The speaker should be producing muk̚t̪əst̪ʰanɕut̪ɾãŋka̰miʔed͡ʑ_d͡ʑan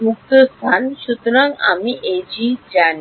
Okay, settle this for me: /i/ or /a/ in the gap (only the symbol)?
i